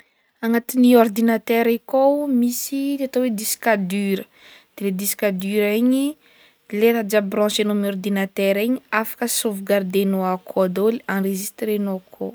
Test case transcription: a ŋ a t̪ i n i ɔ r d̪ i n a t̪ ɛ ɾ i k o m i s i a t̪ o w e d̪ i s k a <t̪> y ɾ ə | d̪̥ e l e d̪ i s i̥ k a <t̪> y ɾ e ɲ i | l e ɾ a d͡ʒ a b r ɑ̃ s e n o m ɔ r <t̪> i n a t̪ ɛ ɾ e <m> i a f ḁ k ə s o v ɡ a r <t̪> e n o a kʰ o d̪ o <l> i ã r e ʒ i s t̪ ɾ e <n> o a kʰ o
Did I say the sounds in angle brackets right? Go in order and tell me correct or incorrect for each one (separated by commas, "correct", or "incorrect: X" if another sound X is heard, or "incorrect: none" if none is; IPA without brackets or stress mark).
incorrect: d̪, incorrect: d̪, incorrect: d̪, incorrect: ɲ, incorrect: d̪, correct, correct